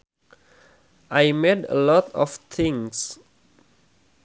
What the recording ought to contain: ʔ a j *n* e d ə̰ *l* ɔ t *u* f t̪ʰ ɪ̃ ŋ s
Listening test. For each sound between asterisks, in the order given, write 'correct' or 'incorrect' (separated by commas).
incorrect, correct, incorrect